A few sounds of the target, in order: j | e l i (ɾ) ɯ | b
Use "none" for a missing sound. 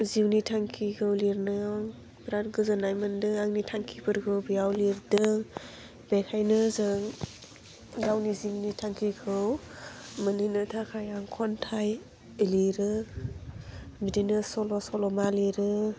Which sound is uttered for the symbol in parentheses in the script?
ɾ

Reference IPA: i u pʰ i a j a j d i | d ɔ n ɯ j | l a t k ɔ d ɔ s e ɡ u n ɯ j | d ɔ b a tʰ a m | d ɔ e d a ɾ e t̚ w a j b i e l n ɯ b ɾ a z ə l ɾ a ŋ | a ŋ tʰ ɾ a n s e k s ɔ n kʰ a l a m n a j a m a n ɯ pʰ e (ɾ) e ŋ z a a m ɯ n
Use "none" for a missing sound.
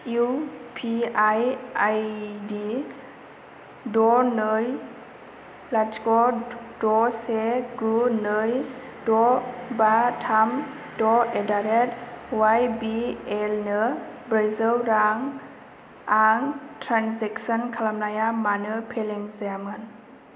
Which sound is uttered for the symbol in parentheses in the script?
l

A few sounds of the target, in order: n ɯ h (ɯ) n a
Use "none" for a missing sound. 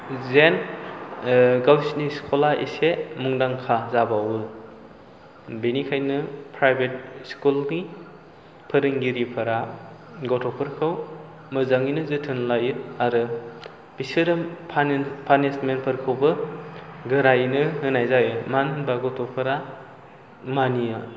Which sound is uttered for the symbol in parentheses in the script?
ɯ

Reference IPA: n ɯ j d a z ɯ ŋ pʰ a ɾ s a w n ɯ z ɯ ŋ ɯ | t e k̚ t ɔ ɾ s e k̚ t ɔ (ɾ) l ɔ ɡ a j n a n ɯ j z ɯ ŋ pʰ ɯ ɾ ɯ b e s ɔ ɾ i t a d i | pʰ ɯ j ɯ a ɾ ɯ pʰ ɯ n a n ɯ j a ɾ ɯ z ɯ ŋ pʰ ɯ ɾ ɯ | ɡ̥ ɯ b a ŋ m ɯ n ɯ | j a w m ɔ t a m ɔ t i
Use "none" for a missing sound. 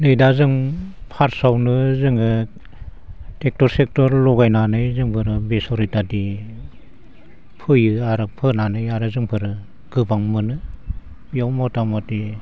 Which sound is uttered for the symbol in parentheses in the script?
ɾ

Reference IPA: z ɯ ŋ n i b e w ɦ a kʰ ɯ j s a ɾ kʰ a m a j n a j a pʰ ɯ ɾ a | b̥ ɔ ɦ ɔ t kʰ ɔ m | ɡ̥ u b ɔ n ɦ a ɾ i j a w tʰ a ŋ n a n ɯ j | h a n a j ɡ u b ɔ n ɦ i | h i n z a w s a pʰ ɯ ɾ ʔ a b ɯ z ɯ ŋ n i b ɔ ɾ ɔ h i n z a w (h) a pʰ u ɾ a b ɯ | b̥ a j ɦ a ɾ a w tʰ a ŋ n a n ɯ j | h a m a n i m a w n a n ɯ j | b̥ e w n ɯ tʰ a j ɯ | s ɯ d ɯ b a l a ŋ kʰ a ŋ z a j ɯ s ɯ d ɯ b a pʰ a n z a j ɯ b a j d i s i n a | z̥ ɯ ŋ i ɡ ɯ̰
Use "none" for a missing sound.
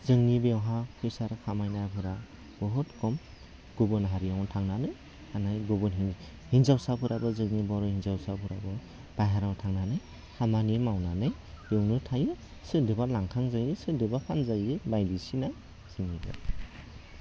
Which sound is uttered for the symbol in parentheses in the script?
s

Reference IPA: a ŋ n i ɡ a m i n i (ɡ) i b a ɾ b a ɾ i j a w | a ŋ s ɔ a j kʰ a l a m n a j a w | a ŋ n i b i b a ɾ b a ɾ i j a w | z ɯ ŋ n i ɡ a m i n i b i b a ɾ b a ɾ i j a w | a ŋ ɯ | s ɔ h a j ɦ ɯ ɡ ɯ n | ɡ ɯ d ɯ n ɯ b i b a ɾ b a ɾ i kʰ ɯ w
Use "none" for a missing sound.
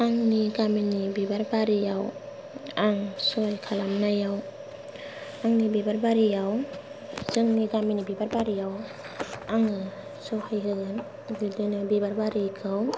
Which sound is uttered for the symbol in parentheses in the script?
b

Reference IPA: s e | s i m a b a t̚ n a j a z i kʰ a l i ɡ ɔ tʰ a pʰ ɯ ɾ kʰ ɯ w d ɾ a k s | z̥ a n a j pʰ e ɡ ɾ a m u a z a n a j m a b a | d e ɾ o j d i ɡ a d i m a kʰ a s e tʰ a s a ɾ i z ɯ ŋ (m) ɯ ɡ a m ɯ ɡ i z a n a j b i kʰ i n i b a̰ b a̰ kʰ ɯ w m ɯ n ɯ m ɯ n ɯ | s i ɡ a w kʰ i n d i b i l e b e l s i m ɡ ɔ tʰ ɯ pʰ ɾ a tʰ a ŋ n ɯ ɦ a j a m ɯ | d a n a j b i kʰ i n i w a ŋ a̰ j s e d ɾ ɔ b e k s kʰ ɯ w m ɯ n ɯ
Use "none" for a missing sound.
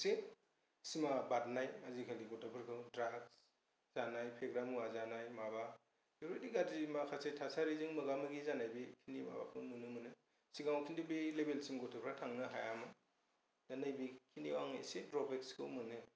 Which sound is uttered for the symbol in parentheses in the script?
m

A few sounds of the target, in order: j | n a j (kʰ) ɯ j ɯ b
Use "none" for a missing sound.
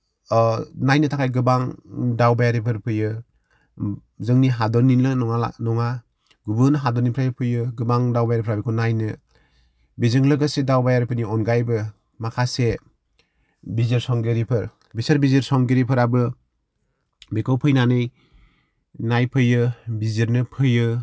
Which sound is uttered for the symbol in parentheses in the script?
pʰ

